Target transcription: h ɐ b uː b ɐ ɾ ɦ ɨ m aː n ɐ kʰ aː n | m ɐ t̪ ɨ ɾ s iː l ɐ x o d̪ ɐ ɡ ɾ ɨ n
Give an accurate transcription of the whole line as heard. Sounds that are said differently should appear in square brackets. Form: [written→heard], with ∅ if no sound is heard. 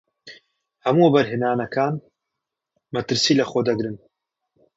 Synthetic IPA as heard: h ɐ [b→m] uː b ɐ ɾ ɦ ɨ [m→n] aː n ɐ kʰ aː n | m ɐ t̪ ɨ ɾ s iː l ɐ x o d̪ ɐ ɡ ɾ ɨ n